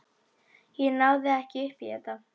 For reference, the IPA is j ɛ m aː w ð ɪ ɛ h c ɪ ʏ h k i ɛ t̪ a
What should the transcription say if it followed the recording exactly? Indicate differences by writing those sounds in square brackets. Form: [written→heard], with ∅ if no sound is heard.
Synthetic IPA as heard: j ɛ [m→n] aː w ð ɪ ɛ h c ɪ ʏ h [k→p] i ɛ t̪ a